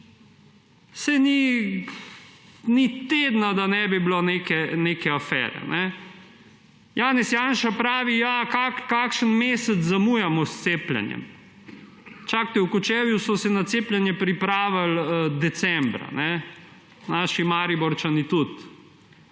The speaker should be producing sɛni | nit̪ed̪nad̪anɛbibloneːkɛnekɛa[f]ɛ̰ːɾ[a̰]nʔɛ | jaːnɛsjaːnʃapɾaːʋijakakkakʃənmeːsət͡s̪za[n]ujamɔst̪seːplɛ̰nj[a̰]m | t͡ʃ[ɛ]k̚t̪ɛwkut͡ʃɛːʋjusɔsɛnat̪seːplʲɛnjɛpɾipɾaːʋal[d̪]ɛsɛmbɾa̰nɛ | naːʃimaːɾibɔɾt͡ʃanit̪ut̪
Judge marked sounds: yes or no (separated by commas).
yes, no, no, no, no, yes